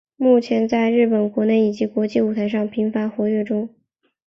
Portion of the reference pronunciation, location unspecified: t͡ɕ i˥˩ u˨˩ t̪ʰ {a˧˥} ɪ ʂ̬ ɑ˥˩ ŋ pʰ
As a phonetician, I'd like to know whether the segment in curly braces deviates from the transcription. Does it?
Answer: no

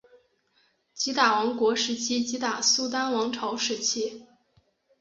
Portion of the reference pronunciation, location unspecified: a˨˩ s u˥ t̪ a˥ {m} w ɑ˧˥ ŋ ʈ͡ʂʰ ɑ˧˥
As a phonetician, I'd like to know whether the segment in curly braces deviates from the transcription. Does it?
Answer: yes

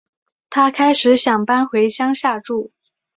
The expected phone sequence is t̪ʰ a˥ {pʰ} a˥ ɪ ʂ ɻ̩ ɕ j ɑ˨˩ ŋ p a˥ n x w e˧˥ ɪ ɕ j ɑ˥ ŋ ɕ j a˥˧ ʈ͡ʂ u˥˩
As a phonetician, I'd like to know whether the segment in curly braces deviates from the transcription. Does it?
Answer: yes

